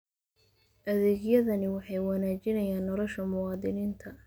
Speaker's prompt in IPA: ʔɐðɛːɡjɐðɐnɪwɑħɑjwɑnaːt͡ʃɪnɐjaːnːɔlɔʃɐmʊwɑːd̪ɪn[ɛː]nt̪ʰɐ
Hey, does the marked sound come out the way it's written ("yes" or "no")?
no